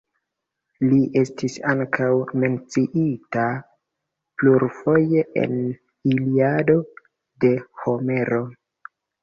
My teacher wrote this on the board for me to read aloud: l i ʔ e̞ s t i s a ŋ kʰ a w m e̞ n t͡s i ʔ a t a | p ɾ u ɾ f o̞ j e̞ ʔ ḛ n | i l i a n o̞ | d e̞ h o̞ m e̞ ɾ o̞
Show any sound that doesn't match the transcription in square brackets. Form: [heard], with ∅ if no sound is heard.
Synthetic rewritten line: l i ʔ e̞ s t i s a ŋ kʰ a w m e̞ n t͡s i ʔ [i] t a | p [l] u ɾ f o̞ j e̞ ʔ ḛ n | i l i a [d] o̞ | d e̞ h o̞ m e̞ ɾ o̞